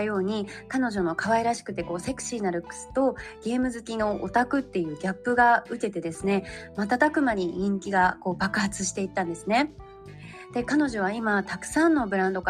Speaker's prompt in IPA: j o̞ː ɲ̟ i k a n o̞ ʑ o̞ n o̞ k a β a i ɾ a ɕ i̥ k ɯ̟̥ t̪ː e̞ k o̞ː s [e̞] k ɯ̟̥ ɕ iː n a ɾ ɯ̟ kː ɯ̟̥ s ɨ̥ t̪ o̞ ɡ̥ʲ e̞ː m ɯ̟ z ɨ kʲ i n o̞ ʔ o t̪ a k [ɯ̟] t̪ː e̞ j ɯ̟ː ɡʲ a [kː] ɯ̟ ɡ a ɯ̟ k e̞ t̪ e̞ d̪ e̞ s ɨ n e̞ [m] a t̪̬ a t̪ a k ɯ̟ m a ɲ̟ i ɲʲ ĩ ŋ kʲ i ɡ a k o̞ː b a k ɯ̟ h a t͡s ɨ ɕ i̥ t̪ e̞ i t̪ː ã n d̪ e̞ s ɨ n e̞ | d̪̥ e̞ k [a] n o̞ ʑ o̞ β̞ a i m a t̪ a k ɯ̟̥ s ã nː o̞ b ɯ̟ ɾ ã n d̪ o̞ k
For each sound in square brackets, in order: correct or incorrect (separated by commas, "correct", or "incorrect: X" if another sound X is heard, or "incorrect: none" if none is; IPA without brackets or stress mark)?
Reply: correct, correct, incorrect: pː, correct, correct